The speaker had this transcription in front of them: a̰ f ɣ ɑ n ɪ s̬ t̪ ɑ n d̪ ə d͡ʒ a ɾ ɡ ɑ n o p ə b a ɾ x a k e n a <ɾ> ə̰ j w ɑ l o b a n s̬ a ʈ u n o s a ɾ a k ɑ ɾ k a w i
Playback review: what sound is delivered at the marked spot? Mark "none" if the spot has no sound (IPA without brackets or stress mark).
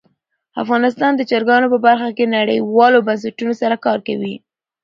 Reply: ɽ